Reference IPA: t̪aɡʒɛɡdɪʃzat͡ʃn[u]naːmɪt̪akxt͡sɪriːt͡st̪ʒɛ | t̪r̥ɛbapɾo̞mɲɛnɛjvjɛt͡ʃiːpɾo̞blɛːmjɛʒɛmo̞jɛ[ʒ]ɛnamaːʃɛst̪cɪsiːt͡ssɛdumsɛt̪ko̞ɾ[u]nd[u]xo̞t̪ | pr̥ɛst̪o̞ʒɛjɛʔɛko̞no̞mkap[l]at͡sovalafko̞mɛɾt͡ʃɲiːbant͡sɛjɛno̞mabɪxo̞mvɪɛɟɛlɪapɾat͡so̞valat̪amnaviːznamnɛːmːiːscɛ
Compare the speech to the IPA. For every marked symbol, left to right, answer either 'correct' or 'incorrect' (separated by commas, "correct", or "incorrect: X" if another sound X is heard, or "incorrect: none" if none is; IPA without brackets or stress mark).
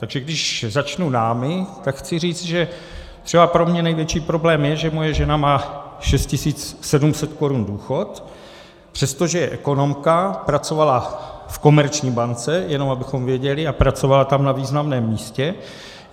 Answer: correct, correct, correct, incorrect: uː, incorrect: ɾ